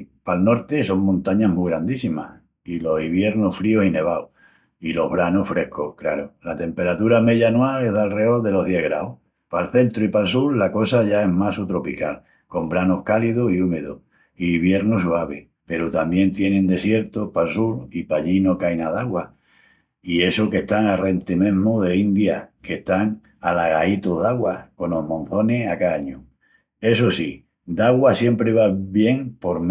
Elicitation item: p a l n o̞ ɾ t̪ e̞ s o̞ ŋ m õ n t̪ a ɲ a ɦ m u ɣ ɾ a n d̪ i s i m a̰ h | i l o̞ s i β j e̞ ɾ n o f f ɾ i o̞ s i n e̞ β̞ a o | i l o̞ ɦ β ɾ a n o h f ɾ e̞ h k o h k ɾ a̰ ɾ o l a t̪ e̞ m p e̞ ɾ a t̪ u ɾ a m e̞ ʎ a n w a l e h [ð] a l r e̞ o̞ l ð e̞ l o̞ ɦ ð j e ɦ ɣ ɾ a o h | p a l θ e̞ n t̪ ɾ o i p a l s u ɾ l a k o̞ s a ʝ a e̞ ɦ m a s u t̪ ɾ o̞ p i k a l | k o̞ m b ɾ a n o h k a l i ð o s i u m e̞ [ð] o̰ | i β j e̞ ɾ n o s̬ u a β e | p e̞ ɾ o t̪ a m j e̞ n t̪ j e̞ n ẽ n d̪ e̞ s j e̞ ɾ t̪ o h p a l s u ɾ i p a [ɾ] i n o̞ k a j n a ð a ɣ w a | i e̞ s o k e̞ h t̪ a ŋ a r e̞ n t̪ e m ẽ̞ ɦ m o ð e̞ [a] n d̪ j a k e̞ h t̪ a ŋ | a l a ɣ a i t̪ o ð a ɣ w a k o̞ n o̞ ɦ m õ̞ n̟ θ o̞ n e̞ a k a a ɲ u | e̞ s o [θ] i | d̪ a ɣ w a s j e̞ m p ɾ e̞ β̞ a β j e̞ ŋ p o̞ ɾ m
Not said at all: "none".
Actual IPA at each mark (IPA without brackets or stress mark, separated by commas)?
ð, ð, ʎ, i, s